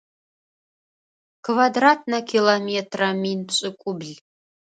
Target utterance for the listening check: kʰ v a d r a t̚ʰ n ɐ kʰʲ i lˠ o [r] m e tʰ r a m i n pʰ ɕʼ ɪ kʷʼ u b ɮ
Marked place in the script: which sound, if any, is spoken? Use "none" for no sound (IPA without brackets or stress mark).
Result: none